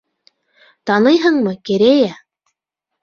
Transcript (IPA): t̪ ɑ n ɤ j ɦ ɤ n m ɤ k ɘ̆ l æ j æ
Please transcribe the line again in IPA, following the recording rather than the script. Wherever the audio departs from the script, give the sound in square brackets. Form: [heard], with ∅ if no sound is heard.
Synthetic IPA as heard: t̪ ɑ n ɤ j ɦ ɤ [ɴ] m ɤ k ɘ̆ [ɾ] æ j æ